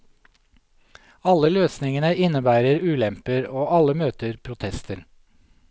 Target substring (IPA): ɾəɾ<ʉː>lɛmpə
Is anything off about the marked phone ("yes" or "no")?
no